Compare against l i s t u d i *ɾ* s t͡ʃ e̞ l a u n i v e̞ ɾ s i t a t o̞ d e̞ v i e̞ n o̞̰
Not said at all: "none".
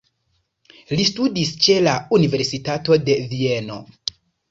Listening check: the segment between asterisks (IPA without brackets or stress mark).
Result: none